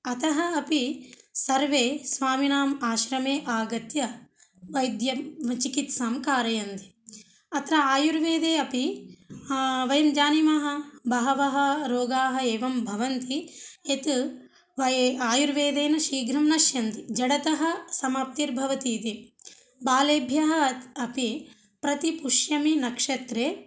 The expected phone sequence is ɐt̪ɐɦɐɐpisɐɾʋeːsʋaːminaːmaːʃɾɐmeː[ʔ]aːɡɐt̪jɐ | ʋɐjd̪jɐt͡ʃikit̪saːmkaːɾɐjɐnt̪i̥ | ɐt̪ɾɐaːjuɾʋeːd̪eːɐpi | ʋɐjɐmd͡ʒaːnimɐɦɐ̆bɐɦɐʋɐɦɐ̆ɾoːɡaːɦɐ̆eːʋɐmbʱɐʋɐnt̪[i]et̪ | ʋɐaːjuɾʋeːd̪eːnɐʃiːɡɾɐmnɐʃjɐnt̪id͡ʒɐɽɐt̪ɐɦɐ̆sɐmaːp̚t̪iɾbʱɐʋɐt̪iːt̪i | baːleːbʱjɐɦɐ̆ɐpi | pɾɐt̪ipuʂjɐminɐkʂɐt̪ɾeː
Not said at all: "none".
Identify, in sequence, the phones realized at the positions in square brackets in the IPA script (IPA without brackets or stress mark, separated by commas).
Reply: ʔ, i